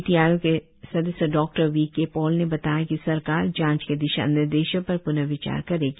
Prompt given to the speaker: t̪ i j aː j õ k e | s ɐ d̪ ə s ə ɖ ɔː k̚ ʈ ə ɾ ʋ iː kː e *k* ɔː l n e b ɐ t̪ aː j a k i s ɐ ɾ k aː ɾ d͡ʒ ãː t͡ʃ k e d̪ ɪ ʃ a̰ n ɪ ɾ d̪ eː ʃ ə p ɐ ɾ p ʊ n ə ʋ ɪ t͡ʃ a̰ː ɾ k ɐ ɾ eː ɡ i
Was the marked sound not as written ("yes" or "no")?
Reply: yes